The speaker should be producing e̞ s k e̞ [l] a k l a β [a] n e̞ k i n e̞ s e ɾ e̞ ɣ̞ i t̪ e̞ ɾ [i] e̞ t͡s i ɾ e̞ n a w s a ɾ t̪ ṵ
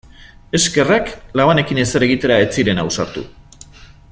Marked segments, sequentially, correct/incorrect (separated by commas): incorrect, correct, incorrect